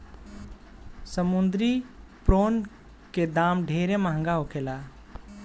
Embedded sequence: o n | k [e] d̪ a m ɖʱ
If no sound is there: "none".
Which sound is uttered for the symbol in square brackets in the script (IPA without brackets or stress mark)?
e